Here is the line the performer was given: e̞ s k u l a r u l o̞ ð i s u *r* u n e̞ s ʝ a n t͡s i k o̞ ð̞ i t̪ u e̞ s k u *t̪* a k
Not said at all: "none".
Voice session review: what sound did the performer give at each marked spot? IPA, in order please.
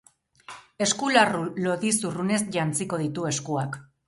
r, none

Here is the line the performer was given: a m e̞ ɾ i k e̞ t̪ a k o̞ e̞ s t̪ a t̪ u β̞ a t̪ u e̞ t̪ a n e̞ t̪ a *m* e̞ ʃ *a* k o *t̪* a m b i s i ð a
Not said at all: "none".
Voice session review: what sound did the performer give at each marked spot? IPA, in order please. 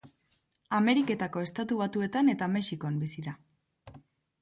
m, i, none

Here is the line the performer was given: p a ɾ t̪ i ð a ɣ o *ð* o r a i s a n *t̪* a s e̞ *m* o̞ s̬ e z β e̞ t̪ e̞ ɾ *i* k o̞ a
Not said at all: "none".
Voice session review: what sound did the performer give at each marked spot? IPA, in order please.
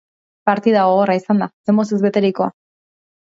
ɣ, d̪, m, i

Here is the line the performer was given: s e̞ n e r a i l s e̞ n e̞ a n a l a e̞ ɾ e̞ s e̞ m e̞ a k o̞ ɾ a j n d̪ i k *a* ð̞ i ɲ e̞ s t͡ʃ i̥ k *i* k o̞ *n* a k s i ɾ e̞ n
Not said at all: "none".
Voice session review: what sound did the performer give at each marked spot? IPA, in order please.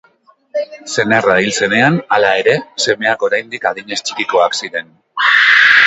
a, i, none

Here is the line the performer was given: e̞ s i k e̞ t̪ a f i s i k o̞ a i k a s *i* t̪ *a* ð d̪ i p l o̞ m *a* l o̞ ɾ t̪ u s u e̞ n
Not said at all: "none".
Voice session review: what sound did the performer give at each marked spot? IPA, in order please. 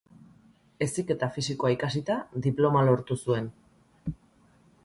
i, a, a

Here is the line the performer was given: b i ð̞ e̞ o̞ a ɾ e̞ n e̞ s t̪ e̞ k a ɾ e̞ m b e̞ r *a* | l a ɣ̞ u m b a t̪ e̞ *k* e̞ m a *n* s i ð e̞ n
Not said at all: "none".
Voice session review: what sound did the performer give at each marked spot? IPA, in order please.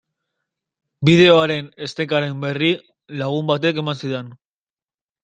i, k, n

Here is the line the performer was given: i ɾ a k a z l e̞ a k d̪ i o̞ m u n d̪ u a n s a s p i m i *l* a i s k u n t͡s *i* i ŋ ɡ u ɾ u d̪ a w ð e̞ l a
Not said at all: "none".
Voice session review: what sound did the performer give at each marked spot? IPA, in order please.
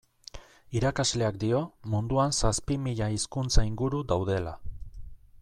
ʎ, a

